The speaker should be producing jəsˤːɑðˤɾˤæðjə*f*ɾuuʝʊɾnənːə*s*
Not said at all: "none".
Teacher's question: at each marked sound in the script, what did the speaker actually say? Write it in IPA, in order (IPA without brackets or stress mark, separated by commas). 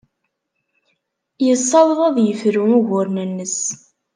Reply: f, s